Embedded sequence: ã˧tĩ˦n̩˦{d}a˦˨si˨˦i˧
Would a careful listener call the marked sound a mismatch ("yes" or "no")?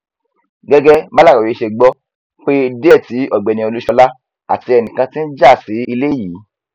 yes